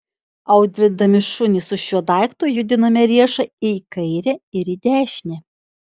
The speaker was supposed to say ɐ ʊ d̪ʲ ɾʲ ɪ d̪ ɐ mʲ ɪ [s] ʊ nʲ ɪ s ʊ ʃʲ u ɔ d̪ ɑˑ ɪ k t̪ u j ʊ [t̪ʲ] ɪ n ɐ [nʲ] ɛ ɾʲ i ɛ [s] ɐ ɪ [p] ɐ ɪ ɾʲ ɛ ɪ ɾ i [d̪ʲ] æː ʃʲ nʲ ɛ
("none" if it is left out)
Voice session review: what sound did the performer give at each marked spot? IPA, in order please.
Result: ʃ, d̪ʲ, mʲ, ʃ, k, d̪ʲ

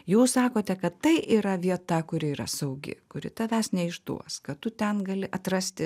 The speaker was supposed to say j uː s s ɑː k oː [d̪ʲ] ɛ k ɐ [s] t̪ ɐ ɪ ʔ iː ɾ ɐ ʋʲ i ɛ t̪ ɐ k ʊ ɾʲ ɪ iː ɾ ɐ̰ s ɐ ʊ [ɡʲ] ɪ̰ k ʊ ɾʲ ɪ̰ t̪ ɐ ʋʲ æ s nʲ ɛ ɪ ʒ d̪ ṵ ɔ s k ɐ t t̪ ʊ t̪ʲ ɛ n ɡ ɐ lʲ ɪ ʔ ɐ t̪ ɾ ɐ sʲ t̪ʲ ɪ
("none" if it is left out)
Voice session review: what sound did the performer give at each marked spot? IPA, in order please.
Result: t̪ʲ, t, ɡʲ

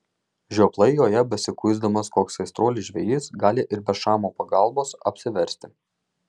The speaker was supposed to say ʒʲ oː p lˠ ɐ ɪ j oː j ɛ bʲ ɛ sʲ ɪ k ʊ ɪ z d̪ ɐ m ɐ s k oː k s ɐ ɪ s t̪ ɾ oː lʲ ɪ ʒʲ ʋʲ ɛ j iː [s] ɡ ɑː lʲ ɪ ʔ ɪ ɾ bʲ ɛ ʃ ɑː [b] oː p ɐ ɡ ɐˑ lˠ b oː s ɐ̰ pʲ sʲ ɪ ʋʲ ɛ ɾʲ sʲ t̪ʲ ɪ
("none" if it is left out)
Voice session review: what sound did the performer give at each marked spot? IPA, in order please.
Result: s, m

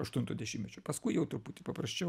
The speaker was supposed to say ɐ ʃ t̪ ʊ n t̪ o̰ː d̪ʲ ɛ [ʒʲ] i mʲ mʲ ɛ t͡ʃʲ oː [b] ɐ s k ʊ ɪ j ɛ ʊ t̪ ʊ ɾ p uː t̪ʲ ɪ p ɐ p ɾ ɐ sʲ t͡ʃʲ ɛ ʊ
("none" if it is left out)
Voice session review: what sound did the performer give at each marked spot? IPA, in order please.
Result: ʃʲ, p

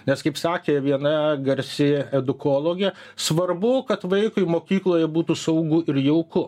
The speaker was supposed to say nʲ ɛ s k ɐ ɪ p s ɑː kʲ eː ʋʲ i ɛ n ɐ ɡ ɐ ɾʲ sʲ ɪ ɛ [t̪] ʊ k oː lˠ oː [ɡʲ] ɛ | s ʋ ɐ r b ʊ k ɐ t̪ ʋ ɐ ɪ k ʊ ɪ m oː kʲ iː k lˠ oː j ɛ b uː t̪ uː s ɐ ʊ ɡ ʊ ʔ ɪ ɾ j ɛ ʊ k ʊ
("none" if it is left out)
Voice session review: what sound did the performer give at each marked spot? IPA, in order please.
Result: d̪, ɡʲ

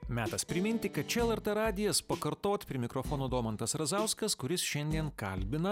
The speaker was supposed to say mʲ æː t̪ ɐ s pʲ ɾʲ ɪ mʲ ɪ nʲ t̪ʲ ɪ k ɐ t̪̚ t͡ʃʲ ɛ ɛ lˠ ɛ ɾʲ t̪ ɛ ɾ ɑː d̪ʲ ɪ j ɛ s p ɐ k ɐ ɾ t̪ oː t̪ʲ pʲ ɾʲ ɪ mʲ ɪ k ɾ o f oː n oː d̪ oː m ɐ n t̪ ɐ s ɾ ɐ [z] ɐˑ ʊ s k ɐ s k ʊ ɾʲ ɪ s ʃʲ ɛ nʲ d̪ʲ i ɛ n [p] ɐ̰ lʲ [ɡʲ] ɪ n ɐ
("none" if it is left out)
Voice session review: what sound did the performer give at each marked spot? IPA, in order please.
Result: z, k, bʲ

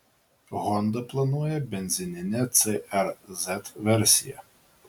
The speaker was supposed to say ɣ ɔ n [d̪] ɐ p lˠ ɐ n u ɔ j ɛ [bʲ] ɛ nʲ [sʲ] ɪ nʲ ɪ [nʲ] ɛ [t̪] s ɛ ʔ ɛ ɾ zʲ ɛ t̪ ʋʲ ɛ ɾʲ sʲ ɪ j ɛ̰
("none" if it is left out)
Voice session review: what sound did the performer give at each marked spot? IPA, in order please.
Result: d̪, bʲ, zʲ, nʲ, t̪

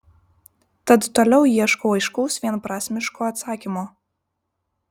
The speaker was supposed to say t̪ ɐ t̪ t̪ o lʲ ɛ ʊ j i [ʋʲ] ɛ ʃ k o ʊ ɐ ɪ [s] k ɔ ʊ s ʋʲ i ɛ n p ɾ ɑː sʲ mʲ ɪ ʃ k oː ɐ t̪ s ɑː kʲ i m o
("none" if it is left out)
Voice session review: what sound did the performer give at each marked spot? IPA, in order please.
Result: none, ʃ

